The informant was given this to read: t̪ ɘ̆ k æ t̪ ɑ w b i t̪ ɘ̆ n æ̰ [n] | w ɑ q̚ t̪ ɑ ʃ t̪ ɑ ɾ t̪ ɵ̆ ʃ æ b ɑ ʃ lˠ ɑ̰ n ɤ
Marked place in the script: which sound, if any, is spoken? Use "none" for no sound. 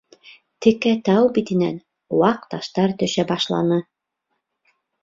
n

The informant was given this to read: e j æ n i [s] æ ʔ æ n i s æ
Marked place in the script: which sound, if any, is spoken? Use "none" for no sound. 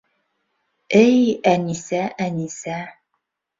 s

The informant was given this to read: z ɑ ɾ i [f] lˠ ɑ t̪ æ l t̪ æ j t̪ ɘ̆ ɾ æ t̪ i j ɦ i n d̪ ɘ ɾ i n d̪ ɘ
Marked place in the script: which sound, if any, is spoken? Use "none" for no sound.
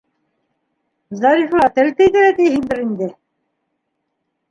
f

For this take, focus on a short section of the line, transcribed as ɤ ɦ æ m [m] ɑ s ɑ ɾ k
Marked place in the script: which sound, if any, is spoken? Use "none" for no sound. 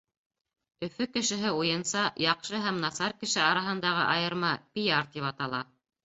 n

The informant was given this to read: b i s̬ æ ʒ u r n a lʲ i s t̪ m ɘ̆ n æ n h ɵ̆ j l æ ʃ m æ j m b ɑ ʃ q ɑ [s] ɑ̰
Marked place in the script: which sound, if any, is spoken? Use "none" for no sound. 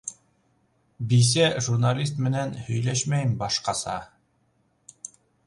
s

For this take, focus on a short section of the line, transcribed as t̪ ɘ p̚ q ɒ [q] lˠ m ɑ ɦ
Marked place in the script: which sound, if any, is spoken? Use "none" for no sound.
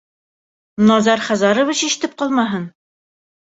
none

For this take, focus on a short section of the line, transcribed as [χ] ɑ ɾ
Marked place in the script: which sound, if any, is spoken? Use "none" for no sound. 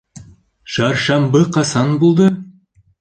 ʃ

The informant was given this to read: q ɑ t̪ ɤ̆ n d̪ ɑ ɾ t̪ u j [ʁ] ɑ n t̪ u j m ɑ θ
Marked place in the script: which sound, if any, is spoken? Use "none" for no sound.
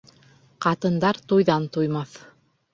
ð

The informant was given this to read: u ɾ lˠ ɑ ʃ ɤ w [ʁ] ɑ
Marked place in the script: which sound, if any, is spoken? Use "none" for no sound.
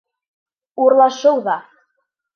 ð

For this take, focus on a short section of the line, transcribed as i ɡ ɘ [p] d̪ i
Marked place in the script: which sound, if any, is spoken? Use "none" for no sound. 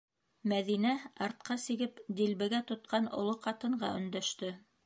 p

